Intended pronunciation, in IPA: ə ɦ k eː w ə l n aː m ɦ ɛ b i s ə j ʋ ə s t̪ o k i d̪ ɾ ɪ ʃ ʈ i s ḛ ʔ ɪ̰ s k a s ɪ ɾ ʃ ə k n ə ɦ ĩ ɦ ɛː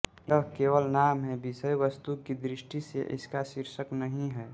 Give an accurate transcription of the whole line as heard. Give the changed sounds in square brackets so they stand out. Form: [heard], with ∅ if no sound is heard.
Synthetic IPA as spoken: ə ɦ k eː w ə l n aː m ɦ ɛ b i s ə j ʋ ə s t̪ [u] k i d̪ ɾ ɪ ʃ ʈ i s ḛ ʔ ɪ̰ s k a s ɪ ɾ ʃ ə k n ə ɦ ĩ ɦ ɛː